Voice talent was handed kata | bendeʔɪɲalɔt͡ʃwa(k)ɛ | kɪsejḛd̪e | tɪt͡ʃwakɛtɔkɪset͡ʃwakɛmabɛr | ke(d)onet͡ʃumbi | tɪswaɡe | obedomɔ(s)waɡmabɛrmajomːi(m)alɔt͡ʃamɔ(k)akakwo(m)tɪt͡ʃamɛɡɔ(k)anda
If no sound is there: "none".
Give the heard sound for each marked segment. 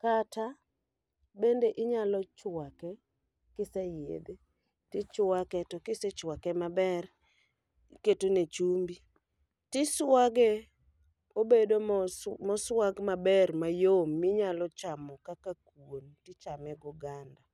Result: k, t, s, ɲ, k, n, ɡ

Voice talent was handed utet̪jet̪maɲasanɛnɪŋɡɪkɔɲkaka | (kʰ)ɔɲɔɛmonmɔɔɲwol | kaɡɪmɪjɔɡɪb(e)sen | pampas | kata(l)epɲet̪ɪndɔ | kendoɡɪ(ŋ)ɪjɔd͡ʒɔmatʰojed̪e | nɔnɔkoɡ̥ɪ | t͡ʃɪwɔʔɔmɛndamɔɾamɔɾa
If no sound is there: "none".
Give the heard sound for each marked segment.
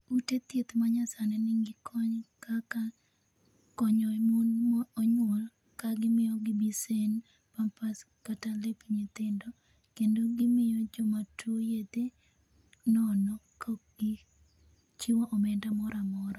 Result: k, i, l, m

